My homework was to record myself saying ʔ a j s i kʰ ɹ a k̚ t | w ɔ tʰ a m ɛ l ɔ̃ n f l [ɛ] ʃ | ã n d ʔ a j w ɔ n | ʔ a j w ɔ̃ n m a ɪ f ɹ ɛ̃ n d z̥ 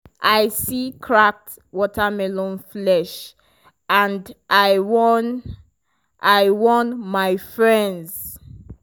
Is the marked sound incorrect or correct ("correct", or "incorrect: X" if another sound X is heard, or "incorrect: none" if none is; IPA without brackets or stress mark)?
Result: correct